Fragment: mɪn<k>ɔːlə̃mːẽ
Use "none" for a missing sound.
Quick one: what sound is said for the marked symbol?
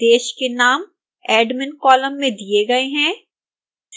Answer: k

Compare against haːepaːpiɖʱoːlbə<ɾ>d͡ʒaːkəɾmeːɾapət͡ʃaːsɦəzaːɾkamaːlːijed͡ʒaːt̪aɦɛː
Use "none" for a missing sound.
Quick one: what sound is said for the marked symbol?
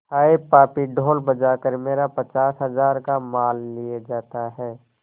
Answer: none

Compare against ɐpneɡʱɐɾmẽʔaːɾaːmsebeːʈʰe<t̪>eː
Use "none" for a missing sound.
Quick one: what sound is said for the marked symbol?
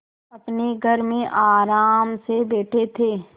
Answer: t̪ʰ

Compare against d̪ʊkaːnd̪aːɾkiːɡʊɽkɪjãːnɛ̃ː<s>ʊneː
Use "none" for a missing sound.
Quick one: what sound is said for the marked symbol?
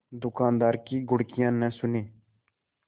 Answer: s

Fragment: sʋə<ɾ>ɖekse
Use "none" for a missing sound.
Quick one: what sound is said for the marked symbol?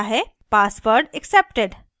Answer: ɾ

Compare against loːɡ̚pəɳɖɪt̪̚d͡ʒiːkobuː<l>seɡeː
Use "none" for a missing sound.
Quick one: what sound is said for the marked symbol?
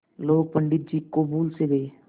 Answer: l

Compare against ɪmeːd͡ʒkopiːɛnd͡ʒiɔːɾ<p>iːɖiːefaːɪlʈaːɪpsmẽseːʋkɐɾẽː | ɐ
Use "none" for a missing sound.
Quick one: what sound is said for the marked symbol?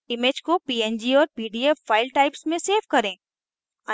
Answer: p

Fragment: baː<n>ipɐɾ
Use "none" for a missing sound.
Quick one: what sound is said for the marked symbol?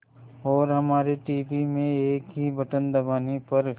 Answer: n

